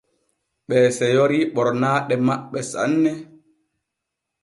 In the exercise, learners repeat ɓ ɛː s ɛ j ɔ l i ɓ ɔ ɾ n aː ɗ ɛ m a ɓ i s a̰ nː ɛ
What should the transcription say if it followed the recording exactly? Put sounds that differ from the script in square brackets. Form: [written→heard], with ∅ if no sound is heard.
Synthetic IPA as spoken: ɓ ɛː s ɛ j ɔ [l→ɾ] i ɓ ɔ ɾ n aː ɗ ɛ m a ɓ [i→ɛ] s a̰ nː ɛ

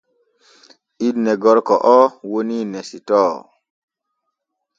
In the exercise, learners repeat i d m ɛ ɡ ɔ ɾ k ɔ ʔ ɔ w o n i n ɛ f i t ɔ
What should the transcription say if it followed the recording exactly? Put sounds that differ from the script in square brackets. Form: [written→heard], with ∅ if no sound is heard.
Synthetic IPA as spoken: i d [m→n] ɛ ɡ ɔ ɾ k ɔ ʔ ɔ w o n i n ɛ [f→s] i t ɔ

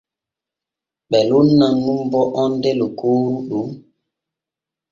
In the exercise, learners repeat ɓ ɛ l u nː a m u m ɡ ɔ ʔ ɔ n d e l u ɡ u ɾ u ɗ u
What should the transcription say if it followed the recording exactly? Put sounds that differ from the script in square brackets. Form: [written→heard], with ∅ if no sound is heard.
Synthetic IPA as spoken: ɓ ɛ l u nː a [m→ŋ] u m [ɡ→b] ɔ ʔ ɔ n d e l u [ɡ→k] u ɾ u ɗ u

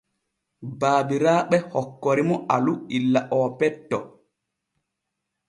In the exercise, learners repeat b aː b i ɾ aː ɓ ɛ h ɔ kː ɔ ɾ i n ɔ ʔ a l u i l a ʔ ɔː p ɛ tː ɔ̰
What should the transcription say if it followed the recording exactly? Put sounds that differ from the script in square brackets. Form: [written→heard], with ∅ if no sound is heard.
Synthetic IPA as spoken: b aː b i ɾ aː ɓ ɛ h ɔ kː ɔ ɾ i [n→m] ɔ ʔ a l u i [l→lː] a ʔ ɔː p ɛ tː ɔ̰

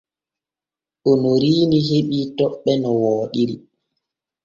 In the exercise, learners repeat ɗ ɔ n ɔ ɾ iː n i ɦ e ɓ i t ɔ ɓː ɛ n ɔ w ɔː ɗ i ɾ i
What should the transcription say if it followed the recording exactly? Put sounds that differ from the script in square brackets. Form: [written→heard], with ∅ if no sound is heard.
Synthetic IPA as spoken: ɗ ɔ n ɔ ɾ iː n i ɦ e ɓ i t ɔ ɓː ɛ n ɔ w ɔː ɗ i ɾ i

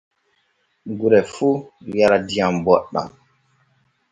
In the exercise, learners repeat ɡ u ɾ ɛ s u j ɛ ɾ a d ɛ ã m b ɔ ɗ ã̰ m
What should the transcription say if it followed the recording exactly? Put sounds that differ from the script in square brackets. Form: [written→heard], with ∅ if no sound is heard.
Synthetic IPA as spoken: ɡ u ɾ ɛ [s→f] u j [ɛ→a] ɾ a d [ɛ→i] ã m b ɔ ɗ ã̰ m

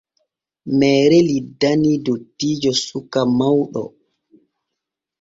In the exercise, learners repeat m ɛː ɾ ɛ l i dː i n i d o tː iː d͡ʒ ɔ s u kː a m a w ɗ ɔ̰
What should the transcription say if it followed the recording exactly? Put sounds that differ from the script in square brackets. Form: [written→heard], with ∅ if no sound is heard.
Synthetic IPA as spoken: m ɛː ɾ ɛ l i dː [i→a] n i d o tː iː d͡ʒ ɔ s u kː a m a w ɗ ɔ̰

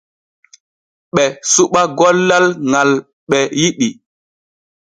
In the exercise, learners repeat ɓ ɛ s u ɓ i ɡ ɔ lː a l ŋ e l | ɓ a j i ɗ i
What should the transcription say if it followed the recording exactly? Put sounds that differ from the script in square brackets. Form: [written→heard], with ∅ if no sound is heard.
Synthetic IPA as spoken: ɓ ɛ s u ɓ [i→a] ɡ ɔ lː a l ŋ [e→a] l | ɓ [a→ɛ] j i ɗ i

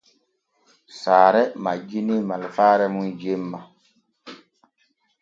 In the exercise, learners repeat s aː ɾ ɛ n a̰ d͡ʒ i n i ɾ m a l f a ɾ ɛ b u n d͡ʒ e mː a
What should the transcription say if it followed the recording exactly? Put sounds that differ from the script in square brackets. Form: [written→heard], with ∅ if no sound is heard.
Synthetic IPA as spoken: s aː ɾ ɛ [n→m] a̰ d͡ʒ i n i [ɾ→∅] m a l f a ɾ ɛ [b→m] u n d͡ʒ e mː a

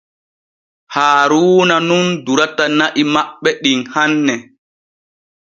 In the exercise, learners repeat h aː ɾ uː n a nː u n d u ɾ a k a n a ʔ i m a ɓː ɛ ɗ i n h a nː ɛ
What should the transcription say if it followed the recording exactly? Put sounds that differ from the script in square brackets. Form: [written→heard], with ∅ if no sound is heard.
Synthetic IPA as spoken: h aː ɾ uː n a [nː→n] u n d u ɾ a [k→t] a n a ʔ i m a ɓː ɛ ɗ i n h a nː ɛ

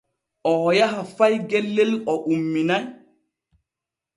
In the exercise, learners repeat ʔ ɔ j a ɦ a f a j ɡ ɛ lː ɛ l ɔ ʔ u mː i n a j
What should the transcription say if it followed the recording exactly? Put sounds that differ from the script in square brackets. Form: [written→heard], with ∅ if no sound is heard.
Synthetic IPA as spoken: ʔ ɔ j a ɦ a f a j ɡ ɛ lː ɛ l ɔ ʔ u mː i n a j

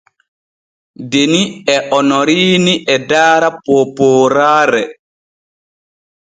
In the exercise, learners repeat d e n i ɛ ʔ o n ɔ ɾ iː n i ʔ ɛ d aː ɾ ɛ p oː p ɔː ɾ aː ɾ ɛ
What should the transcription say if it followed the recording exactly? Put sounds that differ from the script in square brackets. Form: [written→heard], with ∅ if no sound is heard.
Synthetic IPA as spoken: d e n i ɛ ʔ [o→ɔ] n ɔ ɾ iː n i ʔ ɛ d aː ɾ [ɛ→a] p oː p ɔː ɾ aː ɾ ɛ

